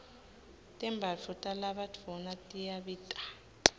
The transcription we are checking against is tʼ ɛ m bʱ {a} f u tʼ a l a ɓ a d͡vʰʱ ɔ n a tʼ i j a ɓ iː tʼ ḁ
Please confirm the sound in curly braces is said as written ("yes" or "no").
yes